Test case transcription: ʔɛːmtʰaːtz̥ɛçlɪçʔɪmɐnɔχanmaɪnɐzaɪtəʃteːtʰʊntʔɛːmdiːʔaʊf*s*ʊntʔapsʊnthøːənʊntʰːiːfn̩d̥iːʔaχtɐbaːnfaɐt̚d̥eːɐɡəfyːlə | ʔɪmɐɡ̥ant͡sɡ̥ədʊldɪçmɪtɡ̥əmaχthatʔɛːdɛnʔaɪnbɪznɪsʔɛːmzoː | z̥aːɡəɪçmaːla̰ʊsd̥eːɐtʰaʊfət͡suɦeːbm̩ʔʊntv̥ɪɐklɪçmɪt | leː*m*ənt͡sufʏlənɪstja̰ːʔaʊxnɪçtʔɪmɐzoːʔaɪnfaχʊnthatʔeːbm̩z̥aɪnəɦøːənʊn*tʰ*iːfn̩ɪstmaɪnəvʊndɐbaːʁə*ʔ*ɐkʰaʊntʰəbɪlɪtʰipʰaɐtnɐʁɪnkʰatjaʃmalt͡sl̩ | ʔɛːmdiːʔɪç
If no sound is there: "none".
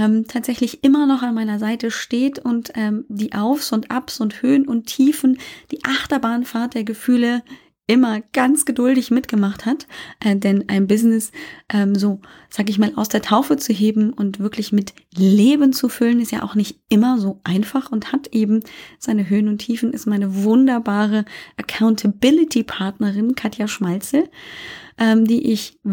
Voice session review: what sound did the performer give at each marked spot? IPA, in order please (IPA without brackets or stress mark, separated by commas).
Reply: s, b, tʰ, ʔ